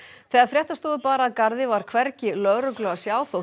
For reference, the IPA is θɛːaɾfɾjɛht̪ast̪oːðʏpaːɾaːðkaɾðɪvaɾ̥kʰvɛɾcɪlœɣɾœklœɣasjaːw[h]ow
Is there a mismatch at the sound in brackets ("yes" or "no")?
yes